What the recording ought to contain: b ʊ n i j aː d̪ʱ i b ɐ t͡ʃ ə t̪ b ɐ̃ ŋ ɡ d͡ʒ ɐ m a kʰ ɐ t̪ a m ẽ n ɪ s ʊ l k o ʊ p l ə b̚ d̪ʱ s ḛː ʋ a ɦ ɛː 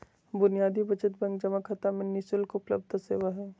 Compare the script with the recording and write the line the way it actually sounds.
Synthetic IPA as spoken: b ʊ n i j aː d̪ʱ i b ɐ t͡ʃ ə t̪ b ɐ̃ ŋ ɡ d͡ʒ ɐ m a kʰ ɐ t̪ a m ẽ n ɪ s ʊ l k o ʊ p l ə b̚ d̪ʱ s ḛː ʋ a ɦ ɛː